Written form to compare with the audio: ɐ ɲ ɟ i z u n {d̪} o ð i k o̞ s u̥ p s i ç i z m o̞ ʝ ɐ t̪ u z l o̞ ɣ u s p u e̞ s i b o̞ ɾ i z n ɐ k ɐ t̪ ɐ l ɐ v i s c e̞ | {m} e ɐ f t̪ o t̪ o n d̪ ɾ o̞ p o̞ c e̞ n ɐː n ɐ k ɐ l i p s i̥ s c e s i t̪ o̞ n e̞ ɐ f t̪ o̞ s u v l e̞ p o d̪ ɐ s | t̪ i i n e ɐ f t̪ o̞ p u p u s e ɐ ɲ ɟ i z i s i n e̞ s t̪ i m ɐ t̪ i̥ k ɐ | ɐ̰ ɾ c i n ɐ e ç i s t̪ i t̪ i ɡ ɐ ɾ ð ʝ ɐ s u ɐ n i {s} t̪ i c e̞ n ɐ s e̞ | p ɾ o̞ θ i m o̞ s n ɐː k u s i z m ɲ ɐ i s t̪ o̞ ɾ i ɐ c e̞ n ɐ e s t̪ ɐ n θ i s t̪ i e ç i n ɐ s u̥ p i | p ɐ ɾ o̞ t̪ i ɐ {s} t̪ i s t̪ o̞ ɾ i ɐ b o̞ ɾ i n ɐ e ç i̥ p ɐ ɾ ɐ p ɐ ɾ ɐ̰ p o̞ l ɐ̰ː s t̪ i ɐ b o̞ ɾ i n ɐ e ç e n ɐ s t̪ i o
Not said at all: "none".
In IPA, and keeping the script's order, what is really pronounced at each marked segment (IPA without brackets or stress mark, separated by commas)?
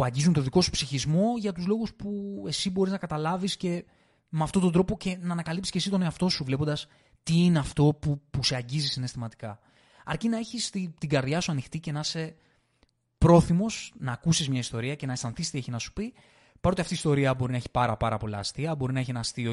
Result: t̪, m, x, f